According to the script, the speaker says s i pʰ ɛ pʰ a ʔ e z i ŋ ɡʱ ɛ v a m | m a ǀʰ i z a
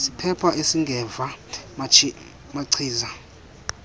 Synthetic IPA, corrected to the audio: s i pʰ ɛ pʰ a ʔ e s i ŋ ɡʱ ɛ v a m | m a ǀʰ iː z a